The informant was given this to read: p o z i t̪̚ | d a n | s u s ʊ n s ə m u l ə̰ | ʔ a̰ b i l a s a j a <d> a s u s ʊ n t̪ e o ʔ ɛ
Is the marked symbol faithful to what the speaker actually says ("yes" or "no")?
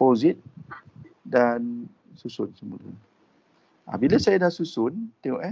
yes